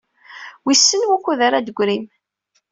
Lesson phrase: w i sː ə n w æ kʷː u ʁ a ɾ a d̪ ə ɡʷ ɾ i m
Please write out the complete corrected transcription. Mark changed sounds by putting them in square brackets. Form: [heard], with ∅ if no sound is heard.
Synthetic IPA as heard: w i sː ə n w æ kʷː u [ð] a ɾ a d̪ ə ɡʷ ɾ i m

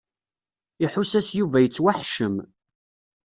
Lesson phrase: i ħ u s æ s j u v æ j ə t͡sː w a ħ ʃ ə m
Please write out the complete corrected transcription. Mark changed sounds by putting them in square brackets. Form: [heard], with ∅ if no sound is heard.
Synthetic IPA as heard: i ħ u s æ s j u v æ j ə t͡sː w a ħ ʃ ə m

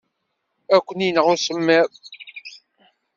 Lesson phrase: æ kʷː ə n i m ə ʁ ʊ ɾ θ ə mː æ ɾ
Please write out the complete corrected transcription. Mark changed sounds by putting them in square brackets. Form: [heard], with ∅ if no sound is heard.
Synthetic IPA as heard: æ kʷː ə n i [n] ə ʁ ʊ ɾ [s] ə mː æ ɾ

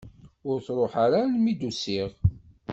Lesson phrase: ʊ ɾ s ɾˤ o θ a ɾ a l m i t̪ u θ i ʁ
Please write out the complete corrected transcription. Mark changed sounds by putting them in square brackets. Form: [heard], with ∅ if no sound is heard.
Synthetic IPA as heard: ʊ ɾ [θ] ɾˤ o [ħ] a ɾ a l m i [d̪] u [s] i ʁ

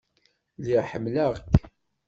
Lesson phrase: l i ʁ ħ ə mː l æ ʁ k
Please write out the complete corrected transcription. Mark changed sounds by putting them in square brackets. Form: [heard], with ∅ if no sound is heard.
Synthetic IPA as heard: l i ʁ ħ ə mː l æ ʁ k

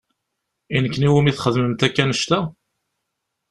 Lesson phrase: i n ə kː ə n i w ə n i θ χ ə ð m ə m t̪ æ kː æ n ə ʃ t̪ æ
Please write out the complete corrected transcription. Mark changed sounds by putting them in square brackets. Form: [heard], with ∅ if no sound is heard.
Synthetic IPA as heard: i n ə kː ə n i w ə [m] i θ χ ə ð m ə m t̪ æ kː æ n ə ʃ t̪ æ

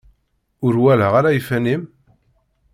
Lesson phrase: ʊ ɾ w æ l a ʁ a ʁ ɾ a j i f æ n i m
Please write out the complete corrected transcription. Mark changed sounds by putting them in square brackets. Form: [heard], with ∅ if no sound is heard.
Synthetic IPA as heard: ʊ ɾ w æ l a ʁ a [∅] ɾ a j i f æ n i m

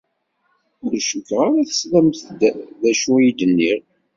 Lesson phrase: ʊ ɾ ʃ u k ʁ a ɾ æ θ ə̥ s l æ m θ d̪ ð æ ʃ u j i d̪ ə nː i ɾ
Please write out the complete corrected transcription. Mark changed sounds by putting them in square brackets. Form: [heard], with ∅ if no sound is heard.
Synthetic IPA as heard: ʊ ɾ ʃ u k ʁ a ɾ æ θ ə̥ s l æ m θ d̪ ð æ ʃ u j i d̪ ə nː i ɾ

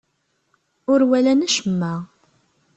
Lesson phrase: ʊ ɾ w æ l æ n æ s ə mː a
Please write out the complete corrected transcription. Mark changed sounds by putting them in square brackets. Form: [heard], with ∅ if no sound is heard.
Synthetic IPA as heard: ʊ ɾ w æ l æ n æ [ʃ] ə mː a

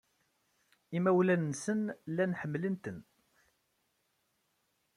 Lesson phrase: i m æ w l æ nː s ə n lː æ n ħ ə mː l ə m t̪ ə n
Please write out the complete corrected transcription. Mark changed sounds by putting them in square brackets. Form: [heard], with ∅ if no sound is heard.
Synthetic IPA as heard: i m æ w l æ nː s ə n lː æ n ħ ə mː l ə [n] t̪ ə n

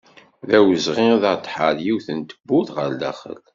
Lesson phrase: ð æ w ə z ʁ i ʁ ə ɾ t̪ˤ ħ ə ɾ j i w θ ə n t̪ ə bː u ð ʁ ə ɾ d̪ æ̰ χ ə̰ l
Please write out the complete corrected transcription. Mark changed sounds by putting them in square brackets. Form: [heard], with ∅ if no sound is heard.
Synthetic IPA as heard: ð æ w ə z ʁ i [ð] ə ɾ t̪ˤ ħ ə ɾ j i w θ ə n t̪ ə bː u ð ʁ ə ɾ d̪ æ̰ χ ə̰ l

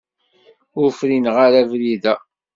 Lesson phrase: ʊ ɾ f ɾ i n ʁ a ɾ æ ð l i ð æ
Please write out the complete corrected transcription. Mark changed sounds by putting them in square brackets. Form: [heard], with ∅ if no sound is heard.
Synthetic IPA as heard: ʊ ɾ f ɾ i n ʁ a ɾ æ [v] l i ð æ

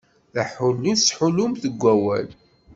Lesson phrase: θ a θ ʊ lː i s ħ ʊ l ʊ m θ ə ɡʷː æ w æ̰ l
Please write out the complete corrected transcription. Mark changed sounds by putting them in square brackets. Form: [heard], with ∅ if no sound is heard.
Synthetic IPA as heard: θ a [ħ] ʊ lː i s ħ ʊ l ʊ m θ ə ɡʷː æ w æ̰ l

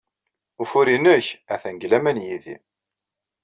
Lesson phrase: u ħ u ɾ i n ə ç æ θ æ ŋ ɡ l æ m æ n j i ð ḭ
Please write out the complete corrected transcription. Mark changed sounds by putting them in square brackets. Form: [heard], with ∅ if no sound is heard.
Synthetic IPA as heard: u [f] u ɾ i n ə ç æ θ æ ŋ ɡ l æ m æ n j i ð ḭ

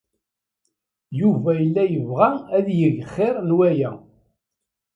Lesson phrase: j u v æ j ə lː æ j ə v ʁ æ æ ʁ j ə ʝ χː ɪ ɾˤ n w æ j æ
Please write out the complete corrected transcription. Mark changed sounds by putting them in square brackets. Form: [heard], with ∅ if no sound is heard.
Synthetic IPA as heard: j u v æ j ə lː æ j ə v ʁ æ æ [ð] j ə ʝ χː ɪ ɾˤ n w æ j æ

